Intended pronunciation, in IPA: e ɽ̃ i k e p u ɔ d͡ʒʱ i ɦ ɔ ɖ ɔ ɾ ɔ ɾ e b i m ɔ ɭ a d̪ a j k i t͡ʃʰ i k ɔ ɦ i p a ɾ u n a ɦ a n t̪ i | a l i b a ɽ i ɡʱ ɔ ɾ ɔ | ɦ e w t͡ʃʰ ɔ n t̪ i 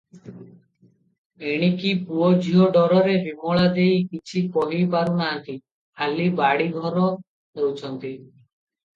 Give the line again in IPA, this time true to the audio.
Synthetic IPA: e ɽ̃ i k i p u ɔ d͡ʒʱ i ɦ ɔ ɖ ɔ ɾ ɔ ɾ e b i m ɔ ɭ a d̪ e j k i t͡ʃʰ i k ɔ ɦ i p a ɾ u n a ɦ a n t̪ i | a l i b a ɽ i ɡʱ ɔ ɾ ɔ | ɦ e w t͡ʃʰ ɔ n t̪ i